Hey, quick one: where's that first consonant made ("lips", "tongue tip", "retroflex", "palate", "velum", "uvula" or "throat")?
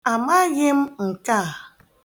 lips